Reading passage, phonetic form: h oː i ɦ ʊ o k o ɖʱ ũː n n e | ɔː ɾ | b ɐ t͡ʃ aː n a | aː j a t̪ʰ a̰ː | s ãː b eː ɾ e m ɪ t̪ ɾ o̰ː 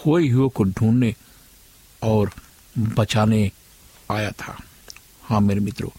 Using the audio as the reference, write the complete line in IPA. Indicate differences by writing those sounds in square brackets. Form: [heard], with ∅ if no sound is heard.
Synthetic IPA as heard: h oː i ɦ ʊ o k o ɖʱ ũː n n e | ɔː ɾ | b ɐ t͡ʃ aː n [e] | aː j a t̪ʰ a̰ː | [h] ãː [m] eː ɾ e m ɪ t̪ ɾ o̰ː